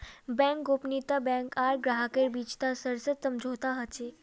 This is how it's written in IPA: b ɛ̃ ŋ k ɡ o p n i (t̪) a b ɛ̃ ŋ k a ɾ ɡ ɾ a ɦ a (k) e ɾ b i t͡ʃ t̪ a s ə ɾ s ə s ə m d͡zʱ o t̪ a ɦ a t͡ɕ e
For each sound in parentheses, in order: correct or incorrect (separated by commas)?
correct, correct